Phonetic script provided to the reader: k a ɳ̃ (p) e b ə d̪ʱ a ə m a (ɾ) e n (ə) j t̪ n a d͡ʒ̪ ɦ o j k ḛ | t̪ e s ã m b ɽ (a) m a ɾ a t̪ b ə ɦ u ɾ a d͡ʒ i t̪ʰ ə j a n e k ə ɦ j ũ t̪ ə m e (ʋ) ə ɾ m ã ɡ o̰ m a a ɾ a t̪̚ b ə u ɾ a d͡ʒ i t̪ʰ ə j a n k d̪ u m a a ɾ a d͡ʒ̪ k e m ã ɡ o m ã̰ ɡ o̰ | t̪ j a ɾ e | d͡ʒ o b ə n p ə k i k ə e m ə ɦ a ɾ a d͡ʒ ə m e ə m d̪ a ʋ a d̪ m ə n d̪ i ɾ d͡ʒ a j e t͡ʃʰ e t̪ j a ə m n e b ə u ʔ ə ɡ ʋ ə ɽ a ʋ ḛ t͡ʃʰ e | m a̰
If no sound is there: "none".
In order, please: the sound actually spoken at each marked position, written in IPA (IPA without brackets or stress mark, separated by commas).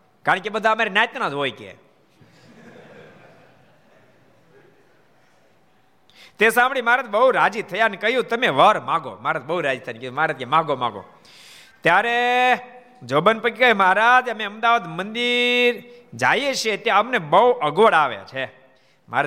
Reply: k, ɾ, a, i, ʋ